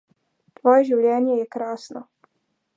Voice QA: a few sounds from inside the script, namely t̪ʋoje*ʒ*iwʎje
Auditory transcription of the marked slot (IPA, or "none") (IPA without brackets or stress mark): ʒ